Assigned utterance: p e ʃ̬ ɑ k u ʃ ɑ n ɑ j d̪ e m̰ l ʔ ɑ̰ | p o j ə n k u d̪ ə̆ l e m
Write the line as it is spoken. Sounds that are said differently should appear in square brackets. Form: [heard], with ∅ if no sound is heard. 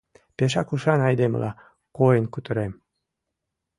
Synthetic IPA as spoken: p e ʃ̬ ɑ k u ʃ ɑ n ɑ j d̪ e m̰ l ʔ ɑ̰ | [k] o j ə n k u [t̪] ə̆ [ɾ] e m